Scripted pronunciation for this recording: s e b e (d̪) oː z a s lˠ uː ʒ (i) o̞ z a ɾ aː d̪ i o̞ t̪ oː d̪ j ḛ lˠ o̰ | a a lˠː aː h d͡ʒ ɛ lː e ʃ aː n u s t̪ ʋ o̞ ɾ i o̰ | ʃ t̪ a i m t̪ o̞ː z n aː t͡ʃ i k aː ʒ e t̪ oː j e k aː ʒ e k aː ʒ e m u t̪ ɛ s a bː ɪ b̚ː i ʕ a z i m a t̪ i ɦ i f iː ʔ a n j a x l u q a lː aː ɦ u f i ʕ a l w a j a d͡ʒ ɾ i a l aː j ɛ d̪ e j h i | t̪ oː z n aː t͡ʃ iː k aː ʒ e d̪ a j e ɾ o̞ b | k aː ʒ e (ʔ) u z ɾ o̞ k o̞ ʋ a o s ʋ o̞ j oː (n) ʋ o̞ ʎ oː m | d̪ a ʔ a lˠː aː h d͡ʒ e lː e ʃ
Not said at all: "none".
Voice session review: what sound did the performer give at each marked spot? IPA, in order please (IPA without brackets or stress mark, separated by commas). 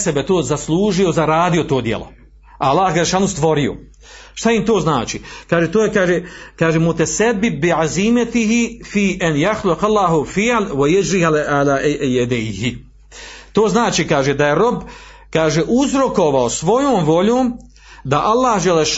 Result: t̪, i, ʔ, m